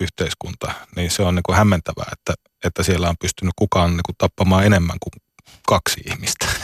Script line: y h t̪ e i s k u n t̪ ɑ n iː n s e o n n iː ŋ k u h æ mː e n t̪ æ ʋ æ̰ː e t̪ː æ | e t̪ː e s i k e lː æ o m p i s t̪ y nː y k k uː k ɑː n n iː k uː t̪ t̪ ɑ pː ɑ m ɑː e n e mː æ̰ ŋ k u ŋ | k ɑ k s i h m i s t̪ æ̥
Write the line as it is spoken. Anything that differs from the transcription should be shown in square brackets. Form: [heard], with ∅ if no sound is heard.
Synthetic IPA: y h t̪ e i s k u n t̪ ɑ n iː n s e o n n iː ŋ k u h æ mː e n t̪ æ ʋ æ̰ː e t̪ː æ | e t̪ː [æ] s i [∅] e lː æ o m p [y] s t̪ y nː y k k [u] k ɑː n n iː k [u] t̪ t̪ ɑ pː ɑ m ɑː e n e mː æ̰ ŋ k u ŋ | k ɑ k s i h m i s t̪ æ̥